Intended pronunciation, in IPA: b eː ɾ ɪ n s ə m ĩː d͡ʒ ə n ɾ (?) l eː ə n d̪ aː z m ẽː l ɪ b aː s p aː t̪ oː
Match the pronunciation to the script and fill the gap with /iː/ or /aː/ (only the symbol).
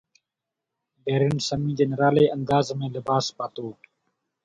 aː